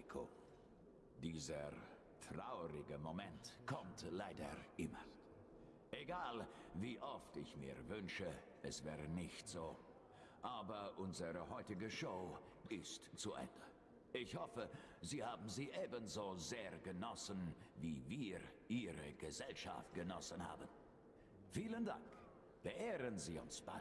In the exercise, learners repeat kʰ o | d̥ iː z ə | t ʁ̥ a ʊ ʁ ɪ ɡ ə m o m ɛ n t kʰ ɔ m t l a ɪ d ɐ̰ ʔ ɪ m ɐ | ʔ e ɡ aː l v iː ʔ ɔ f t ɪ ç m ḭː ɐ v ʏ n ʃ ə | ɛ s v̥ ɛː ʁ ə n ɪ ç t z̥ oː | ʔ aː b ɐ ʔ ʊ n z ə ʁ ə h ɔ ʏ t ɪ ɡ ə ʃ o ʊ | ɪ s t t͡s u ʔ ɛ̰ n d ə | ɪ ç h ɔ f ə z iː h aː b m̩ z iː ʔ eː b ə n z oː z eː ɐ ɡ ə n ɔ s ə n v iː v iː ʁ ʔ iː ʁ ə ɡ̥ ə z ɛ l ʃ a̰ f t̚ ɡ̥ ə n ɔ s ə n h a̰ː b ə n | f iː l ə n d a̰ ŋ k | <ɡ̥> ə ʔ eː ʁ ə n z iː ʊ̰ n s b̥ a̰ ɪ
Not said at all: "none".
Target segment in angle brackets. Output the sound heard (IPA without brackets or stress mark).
b̥